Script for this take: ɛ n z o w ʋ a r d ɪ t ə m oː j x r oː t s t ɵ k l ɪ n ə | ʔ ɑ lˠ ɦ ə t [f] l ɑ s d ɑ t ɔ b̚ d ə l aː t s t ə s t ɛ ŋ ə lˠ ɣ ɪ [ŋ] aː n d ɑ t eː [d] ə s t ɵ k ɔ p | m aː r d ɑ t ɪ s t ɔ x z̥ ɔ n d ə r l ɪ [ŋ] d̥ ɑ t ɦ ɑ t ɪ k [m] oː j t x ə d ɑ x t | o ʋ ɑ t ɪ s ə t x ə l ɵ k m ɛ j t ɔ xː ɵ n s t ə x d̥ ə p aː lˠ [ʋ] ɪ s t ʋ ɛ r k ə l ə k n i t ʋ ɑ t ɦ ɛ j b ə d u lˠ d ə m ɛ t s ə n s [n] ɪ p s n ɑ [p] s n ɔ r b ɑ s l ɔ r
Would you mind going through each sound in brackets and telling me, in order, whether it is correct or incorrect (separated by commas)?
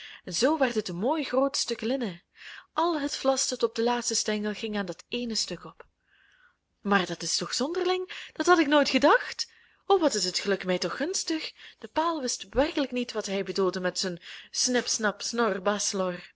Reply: correct, correct, incorrect, correct, incorrect, correct, correct, correct